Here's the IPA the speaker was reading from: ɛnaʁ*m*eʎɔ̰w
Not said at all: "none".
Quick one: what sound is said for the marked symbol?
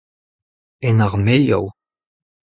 m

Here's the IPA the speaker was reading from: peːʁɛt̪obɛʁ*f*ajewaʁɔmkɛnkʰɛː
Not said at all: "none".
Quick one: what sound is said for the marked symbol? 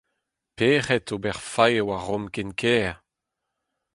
f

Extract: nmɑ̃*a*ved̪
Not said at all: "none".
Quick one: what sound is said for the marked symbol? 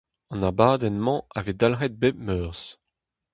a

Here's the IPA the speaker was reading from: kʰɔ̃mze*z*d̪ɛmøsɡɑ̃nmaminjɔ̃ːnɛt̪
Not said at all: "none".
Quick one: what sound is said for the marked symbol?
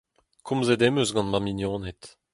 none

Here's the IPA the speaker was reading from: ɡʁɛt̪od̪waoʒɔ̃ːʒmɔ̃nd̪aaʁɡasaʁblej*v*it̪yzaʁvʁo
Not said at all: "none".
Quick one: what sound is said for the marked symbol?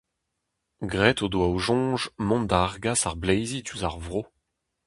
z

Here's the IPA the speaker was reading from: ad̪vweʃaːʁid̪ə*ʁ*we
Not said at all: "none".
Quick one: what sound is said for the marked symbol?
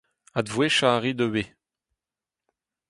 none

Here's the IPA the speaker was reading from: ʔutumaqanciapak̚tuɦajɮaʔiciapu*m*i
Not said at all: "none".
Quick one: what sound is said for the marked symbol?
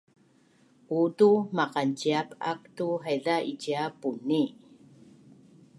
n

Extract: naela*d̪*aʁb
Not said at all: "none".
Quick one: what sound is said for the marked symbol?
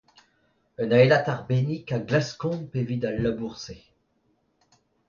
t̪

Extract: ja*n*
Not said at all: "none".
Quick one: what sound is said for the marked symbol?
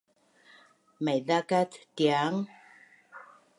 ŋ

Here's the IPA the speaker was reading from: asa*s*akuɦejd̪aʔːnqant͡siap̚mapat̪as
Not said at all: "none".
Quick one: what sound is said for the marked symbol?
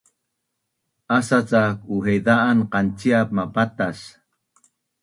t͡s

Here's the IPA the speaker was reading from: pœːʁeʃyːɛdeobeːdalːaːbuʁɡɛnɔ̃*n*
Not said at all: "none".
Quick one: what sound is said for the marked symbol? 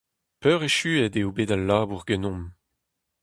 m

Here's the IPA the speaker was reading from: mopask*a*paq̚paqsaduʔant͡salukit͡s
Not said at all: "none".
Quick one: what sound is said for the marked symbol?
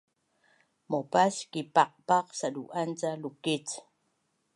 i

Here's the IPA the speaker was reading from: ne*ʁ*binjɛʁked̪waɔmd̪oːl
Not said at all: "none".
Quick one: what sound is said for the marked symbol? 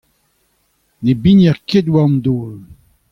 none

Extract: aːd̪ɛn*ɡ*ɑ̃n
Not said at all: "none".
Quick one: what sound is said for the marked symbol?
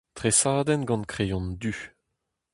ɡ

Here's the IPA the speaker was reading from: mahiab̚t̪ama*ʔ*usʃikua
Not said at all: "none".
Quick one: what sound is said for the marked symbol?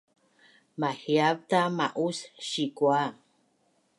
ʔ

